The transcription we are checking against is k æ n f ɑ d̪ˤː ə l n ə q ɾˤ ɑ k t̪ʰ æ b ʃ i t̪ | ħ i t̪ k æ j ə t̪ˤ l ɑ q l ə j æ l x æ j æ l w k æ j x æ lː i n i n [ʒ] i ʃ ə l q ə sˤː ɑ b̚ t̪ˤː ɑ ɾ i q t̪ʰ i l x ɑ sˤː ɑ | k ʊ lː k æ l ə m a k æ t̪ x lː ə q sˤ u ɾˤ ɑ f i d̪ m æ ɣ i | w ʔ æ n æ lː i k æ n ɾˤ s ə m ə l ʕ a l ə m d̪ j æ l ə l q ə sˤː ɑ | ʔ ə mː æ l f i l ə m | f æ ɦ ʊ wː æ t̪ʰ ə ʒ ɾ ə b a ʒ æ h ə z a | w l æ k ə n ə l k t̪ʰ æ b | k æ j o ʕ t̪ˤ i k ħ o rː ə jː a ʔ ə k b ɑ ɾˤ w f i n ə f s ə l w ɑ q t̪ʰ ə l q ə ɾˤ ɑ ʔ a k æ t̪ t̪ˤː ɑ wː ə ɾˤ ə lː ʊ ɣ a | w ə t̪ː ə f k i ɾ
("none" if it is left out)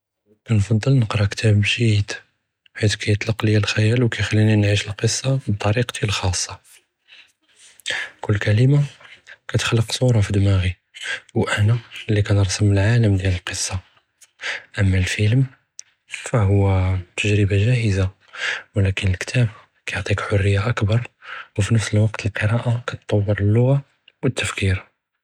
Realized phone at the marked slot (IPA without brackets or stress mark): ʕ